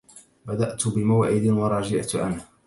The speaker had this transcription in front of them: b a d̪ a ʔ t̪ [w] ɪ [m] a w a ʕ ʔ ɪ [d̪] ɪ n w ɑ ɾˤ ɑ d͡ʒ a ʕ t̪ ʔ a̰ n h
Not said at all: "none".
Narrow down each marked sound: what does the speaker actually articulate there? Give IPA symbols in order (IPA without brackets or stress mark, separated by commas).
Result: b, m, d̪